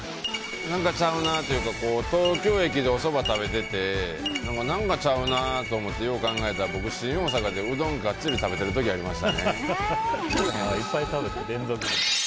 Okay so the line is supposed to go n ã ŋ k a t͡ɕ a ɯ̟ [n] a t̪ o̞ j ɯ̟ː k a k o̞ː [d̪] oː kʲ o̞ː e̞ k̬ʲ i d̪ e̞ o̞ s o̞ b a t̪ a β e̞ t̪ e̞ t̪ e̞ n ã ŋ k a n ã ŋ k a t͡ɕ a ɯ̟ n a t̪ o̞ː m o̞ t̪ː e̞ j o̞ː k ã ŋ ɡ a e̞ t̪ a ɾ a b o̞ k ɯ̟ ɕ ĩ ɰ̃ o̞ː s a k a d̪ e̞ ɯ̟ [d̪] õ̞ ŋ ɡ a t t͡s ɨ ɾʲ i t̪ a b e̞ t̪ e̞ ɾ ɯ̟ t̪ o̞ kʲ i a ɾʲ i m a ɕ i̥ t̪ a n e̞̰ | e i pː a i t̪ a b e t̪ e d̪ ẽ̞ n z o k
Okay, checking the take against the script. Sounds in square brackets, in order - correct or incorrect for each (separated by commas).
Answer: correct, incorrect, correct